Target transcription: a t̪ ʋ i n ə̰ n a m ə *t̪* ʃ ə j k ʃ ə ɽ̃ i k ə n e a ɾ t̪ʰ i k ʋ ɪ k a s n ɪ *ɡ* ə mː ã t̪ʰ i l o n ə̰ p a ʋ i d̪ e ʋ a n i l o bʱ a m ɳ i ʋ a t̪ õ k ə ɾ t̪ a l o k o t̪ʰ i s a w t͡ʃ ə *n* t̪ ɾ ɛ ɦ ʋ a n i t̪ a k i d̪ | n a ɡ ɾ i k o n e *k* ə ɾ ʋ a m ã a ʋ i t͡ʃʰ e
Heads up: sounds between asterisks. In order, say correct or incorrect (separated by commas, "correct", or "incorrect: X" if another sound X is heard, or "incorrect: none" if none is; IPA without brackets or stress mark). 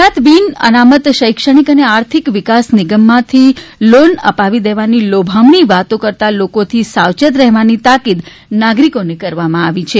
correct, correct, incorrect: none, correct